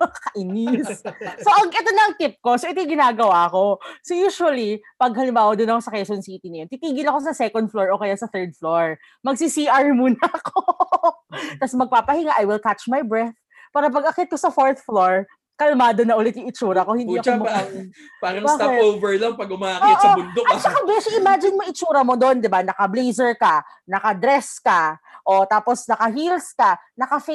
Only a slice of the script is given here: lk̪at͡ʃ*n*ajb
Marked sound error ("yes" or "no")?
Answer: yes